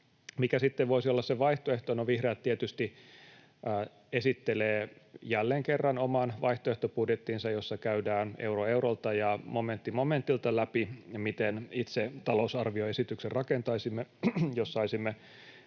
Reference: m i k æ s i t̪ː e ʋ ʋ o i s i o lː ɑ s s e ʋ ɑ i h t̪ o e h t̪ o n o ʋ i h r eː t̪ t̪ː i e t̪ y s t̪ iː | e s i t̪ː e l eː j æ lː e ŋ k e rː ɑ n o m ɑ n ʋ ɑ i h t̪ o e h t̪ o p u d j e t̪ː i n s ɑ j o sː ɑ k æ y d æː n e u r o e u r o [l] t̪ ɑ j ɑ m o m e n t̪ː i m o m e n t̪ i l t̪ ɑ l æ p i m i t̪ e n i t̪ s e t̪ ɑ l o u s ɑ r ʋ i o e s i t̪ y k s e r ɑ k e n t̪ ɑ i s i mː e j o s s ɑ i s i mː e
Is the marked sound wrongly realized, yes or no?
no